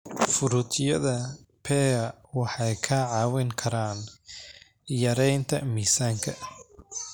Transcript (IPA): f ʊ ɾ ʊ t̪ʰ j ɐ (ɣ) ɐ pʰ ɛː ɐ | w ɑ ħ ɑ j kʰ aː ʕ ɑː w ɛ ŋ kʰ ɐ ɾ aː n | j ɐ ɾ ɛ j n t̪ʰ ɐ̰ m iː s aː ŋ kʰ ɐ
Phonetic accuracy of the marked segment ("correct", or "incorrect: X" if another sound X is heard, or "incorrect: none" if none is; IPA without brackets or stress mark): incorrect: ð